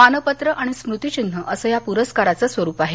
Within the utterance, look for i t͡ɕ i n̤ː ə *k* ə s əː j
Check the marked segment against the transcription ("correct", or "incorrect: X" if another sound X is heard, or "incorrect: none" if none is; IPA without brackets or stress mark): incorrect: ʔ